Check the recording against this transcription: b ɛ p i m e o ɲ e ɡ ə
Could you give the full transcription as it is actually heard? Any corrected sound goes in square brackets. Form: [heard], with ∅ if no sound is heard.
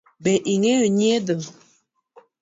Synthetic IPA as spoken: b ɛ [ʔ] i [ŋ] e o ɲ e [d] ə